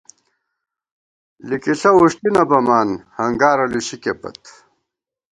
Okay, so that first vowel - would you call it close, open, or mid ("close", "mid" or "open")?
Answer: close